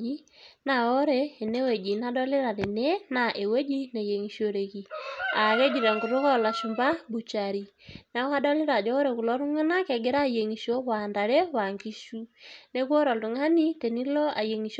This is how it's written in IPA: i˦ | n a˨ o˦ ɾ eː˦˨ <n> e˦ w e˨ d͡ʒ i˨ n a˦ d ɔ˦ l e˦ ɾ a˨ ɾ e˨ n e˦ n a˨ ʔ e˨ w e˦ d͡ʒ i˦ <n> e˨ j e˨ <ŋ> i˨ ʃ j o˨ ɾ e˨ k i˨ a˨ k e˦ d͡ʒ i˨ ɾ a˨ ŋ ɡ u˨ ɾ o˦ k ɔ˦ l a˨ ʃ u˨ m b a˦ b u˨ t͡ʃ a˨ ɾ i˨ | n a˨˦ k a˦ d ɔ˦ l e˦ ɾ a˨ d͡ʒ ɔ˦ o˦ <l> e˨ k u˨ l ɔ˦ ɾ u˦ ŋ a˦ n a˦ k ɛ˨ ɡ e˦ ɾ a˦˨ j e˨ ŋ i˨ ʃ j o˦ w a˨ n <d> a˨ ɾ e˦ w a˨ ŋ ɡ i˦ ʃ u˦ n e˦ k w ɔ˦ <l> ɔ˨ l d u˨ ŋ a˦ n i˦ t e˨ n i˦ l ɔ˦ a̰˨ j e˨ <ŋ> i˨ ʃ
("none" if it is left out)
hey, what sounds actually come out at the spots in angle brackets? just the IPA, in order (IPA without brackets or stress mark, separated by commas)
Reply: n, n, ŋ, ɾ, d, ɾ, ŋ